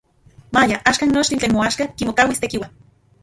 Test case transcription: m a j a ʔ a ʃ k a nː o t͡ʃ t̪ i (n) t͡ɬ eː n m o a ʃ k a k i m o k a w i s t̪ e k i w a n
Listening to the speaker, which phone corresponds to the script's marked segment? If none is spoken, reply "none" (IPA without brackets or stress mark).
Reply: n